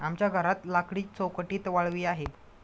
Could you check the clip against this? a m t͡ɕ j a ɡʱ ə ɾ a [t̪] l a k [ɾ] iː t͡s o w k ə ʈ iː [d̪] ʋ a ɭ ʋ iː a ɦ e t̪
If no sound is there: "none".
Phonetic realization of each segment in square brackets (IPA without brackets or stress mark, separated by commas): t̪, ɽ, t̪